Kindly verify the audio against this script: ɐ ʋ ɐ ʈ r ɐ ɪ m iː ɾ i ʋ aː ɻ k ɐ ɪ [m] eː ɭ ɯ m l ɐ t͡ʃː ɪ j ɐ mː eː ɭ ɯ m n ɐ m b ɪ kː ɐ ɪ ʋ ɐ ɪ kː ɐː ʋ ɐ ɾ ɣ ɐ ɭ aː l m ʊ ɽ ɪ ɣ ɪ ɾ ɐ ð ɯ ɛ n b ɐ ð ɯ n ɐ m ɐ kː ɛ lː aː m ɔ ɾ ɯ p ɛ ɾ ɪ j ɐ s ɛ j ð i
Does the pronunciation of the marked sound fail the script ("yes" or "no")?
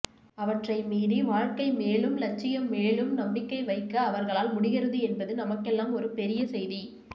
no